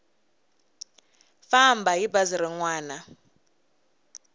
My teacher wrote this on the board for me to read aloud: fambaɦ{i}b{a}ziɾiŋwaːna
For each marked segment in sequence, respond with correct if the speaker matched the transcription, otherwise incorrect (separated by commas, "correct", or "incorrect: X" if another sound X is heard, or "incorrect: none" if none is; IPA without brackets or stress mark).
correct, correct